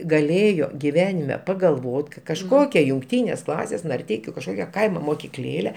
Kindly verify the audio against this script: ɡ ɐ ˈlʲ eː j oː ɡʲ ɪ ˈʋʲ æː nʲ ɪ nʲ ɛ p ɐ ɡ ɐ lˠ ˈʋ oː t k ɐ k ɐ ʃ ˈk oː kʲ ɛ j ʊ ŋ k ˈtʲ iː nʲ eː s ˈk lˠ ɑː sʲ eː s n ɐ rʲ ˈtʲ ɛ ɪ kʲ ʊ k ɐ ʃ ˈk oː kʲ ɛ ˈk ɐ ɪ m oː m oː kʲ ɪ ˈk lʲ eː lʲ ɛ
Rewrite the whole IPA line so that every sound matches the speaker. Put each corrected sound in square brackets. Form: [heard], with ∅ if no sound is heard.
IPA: ɡ ɐ ˈlʲ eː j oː ɡʲ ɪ ˈʋʲ æː nʲ ɪ [mʲ] ɛ p ɐ ɡ ɐ lˠ ˈʋ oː t k ɐ k ɐ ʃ ˈk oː kʲ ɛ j ʊ ŋ k ˈtʲ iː nʲ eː s ˈk lˠ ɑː sʲ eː s n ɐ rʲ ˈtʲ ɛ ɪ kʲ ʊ k ɐ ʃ ˈk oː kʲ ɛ ˈk ɐ ɪ m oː m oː kʲ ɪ ˈk lʲ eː lʲ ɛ